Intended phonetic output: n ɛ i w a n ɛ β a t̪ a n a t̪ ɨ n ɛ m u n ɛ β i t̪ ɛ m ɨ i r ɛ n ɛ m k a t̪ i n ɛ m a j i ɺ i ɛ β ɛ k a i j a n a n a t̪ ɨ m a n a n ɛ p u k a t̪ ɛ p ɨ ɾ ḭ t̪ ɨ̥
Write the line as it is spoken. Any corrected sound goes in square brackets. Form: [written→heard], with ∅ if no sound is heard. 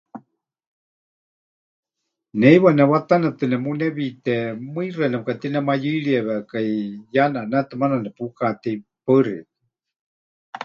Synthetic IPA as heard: n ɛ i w a n ɛ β a t̪ a n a t̪ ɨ n ɛ m u n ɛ β i t̪ ɛ m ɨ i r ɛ n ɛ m k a t̪ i n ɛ m a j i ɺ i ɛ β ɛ k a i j a n a n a t̪ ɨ m a n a n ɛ p u k a t̪ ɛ p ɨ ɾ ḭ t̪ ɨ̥